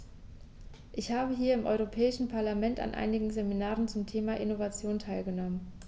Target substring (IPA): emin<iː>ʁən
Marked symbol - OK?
no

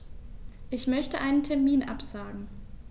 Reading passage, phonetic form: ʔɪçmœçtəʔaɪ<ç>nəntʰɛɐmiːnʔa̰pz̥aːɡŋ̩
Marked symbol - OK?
no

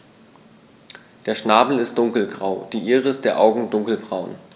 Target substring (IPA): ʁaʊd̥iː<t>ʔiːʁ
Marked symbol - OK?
no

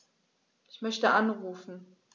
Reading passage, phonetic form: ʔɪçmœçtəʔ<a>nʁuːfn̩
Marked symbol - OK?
yes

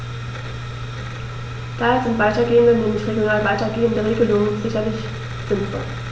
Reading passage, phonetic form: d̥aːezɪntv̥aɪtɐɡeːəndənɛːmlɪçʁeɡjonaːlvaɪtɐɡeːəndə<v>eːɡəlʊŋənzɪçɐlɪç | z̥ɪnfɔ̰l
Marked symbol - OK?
no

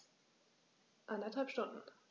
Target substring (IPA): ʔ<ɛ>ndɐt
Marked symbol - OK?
no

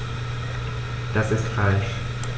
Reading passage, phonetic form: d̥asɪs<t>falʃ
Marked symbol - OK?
yes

